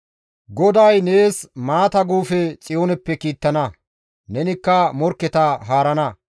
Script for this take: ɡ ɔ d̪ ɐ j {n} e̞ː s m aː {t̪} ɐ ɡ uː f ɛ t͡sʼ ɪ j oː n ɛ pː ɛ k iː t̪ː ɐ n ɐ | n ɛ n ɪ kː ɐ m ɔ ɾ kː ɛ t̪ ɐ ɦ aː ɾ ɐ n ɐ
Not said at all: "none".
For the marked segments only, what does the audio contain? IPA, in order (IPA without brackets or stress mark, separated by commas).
n, t̪